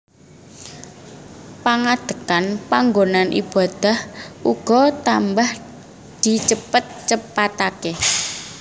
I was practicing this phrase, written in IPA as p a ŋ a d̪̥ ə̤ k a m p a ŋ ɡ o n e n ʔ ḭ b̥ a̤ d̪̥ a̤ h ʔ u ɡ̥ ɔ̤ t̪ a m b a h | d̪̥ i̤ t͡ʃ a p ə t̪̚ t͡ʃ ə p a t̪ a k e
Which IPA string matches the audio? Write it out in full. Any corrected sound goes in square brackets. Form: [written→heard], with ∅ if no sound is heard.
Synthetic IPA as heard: p a ŋ a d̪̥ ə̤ k a [m→n] p a ŋ ɡ o n [e→a] n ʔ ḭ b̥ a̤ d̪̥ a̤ h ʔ u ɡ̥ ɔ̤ t̪ a m b a h | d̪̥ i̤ t͡ʃ [a→ə] p ə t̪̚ t͡ʃ ə p a t̪ a k e